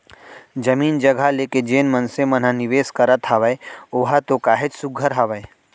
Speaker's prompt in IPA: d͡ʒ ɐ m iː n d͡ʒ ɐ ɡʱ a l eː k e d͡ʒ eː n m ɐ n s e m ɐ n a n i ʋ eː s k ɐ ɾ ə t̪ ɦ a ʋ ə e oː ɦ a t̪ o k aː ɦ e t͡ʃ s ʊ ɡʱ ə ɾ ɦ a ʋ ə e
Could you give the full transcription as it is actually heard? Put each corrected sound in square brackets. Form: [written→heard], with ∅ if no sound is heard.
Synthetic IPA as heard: d͡ʒ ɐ m iː n d͡ʒ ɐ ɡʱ a l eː k e d͡ʒ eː n m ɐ n s e m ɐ n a n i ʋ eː s k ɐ ɾ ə t̪ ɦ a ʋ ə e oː ɦ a t̪ o k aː ɦ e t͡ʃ s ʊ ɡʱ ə ɾ ɦ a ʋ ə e